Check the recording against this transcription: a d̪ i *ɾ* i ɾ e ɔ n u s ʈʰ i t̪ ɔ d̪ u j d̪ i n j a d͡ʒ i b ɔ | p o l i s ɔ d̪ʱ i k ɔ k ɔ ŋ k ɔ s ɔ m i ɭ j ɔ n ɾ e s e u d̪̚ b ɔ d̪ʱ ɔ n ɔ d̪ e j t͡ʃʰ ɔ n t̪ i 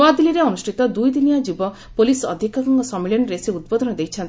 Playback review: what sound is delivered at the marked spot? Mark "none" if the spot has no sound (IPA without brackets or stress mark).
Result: l